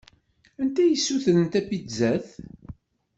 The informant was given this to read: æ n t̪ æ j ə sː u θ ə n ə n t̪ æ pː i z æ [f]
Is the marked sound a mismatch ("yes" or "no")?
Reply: yes